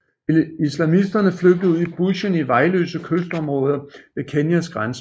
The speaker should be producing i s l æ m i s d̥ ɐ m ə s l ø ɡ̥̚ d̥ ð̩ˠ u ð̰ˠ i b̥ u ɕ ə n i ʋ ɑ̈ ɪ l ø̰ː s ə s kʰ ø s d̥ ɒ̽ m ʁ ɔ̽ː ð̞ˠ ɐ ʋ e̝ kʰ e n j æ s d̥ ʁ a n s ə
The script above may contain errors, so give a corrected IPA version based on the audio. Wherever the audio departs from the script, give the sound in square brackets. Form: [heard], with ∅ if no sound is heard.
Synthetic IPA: i s l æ m i s d̥ ɐ [n] ə [f] l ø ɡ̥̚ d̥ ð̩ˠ u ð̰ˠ i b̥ u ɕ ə n i ʋ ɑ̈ ɪ l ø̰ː s ə [∅] kʰ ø s d̥ ɒ̽ m ʁ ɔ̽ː ð̞ˠ ɐ ʋ e̝ kʰ e n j æ s [ɡ̥] ʁ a n s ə